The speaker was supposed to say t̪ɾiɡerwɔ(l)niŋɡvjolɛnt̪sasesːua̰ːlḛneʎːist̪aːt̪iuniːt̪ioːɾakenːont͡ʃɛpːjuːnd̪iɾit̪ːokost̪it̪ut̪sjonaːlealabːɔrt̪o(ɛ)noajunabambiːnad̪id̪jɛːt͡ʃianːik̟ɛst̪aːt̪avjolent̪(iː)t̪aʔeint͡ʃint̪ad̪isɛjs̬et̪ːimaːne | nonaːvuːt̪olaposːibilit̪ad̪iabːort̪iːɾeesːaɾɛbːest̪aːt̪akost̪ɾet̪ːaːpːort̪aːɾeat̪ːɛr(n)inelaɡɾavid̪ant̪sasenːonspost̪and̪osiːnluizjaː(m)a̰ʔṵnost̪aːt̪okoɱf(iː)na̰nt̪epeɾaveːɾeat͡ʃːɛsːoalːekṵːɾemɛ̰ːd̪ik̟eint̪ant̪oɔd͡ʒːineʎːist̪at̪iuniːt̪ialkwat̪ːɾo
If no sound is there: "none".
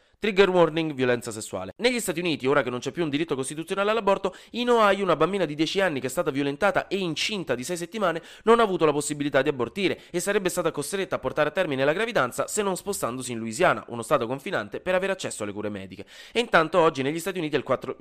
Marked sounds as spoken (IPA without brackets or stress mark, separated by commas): r, i, aː, m, n, i